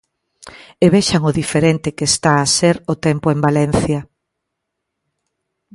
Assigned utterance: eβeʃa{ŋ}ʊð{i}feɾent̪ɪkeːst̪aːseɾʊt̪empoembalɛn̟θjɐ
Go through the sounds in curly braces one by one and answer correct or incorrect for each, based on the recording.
correct, correct

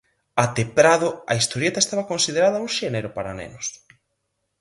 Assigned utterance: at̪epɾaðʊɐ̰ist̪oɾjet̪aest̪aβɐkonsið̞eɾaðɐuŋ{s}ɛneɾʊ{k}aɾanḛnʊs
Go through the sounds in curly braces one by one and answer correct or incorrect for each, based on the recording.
incorrect: ʃ, incorrect: p

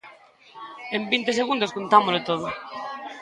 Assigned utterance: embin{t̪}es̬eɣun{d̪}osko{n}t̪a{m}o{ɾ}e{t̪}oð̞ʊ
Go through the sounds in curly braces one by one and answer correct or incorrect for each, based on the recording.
correct, correct, correct, correct, incorrect: l, correct

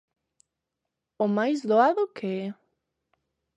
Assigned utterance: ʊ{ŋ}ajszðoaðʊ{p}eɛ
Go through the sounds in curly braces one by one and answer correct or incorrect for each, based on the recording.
incorrect: m, incorrect: k

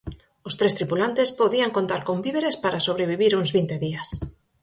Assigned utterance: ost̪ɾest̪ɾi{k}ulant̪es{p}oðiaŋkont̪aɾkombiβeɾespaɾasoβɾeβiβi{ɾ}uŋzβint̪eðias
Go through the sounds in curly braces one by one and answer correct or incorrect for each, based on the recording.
incorrect: p, correct, correct

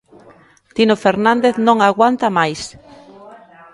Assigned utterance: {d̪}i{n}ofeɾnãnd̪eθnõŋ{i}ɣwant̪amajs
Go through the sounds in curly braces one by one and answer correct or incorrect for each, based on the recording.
incorrect: t̪, correct, incorrect: a

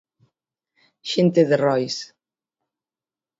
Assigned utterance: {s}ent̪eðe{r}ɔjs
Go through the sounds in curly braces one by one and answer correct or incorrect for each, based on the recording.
incorrect: ʃ, correct

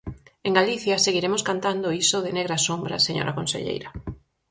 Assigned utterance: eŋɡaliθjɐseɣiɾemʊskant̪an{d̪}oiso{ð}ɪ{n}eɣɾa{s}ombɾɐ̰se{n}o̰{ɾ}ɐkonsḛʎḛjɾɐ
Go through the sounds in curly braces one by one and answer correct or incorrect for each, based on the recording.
correct, correct, correct, correct, incorrect: ɲ, correct

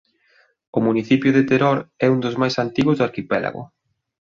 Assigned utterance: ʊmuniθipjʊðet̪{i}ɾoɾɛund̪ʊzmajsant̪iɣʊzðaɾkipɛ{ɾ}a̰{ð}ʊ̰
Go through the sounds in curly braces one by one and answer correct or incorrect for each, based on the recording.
incorrect: e, incorrect: l, incorrect: ɣ

